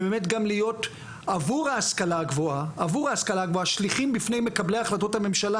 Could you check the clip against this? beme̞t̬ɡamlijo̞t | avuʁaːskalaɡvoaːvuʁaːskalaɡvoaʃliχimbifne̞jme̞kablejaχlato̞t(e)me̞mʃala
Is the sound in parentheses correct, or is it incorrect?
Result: incorrect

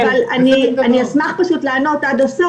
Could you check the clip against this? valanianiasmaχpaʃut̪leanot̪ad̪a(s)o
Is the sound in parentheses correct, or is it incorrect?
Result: correct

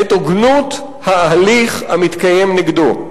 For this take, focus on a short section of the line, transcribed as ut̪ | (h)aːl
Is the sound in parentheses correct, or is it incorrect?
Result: correct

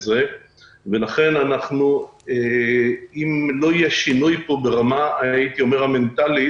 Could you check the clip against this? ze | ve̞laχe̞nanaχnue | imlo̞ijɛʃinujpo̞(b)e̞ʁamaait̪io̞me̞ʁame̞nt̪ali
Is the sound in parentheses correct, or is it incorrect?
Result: correct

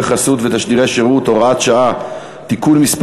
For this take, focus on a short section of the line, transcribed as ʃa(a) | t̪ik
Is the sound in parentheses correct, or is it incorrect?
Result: correct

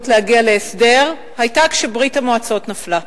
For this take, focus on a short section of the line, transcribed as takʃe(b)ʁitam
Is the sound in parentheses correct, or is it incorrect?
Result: correct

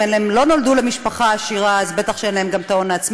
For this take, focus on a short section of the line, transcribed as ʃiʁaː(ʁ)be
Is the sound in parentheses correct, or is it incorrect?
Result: incorrect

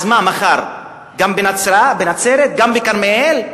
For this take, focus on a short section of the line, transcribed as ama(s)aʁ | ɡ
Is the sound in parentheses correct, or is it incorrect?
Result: incorrect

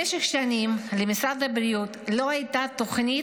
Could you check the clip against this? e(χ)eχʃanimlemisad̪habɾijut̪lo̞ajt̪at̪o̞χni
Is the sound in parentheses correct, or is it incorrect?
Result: incorrect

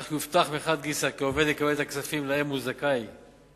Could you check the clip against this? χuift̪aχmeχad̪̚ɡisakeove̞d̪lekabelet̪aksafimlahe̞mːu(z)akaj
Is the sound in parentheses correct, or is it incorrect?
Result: correct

